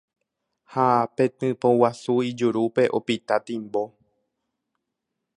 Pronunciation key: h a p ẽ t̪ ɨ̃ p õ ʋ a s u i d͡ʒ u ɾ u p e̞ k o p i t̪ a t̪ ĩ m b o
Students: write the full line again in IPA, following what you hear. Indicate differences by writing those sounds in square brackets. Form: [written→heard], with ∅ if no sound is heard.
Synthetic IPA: h a p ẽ t̪ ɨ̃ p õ [ʋ→w] a s u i d͡ʒ u ɾ u p e̞ [k→ʔ] o p i t̪ a t̪ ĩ m b o

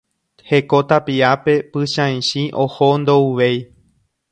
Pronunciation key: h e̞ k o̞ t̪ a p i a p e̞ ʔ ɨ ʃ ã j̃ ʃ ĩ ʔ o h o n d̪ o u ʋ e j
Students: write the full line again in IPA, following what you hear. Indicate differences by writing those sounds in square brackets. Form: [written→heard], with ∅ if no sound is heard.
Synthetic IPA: h e̞ k o̞ t̪ a p i a p e̞ [ʔ→p] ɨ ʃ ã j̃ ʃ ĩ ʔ o h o n d̪ o u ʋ e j

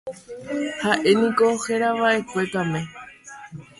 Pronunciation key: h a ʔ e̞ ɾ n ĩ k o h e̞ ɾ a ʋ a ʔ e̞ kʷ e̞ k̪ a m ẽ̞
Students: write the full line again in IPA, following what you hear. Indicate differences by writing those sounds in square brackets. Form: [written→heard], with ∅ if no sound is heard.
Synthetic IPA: h a ʔ e̞ [ɾ→∅] n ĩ k o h e̞ ɾ a ʋ a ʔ e̞ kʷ e̞ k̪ a m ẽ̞

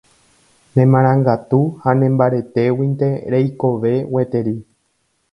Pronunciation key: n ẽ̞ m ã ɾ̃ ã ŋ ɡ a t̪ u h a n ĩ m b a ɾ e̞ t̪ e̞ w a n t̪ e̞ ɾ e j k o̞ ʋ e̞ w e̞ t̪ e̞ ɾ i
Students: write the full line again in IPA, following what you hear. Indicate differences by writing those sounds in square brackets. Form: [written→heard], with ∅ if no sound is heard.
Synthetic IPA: n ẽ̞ m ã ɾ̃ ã ŋ ɡ a t̪ u h a n [ĩ→ẽ] m b a ɾ e̞ t̪ e̞ w [a→i] n t̪ e̞ ɾ e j k o̞ ʋ e̞ w e̞ t̪ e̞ ɾ i

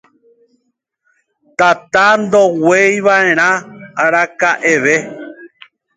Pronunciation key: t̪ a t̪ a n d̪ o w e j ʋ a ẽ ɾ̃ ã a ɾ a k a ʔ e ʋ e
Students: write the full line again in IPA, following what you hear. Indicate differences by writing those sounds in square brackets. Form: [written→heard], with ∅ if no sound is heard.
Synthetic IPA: t̪ a t̪ a n d̪ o w e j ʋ a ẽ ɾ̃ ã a ɾ a k a ʔ e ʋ e

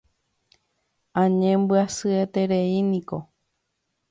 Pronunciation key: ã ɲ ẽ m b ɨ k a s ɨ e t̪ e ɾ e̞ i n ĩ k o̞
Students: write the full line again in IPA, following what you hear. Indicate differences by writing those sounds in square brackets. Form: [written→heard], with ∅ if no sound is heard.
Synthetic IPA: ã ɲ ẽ m b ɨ [k→∅] a s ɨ e t̪ e ɾ e̞ i n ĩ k o̞

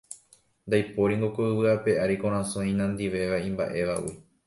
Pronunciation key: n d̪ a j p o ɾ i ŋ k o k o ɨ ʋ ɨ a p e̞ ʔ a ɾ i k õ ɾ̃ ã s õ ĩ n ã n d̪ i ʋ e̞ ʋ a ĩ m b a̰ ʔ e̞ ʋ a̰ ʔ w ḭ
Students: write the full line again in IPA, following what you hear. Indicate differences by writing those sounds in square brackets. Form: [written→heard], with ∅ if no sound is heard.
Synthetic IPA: n d̪ a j p o ɾ i ŋ [k→ɡ] o k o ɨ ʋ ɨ a p e̞ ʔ a ɾ i k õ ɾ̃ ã s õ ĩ n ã n d̪ i ʋ e̞ ʋ a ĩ m b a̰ ʔ e̞ ʋ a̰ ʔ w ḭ

